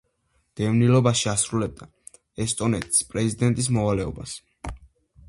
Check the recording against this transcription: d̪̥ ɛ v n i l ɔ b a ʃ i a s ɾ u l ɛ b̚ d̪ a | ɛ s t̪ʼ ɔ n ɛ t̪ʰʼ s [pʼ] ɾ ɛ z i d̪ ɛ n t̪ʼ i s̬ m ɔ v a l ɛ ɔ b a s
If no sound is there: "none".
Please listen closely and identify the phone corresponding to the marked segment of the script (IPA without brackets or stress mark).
pʼ